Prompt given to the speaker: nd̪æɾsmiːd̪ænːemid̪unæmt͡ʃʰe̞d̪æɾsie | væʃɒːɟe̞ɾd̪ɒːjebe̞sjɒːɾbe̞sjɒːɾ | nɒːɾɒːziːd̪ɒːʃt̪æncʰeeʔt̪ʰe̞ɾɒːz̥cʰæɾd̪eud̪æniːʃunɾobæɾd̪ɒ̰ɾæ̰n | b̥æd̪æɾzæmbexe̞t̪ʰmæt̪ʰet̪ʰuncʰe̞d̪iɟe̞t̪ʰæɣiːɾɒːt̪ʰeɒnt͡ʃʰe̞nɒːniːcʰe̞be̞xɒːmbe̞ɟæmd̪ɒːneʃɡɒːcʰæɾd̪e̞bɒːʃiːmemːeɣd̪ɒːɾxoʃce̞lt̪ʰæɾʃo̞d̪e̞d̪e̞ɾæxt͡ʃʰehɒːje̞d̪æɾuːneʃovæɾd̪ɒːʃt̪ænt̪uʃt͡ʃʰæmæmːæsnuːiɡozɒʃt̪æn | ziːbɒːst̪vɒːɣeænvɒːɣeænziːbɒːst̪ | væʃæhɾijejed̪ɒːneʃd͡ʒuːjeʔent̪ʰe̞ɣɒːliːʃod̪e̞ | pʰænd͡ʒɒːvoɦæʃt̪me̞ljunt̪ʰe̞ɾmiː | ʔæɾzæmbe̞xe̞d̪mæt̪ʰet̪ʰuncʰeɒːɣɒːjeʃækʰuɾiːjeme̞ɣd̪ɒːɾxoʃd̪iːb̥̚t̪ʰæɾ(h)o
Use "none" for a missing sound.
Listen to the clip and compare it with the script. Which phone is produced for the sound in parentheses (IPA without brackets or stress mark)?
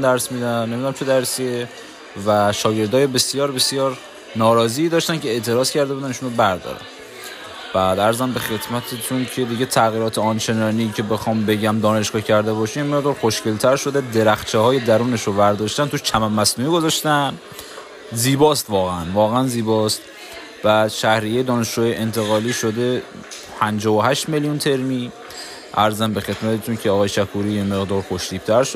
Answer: ʃ